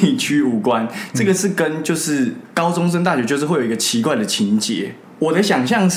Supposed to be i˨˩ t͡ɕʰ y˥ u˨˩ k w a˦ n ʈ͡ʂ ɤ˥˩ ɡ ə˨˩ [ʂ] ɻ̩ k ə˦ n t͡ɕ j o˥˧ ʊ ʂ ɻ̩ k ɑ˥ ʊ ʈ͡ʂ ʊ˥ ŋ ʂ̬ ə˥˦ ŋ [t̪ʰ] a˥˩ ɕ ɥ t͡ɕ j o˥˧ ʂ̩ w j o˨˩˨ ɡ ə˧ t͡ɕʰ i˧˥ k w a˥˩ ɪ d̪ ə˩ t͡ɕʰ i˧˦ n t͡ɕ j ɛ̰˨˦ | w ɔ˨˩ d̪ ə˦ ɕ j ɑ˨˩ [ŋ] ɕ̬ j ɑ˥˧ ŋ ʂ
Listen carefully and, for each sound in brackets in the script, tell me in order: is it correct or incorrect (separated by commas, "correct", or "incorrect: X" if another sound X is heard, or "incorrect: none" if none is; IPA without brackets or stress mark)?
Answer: correct, incorrect: t̪, correct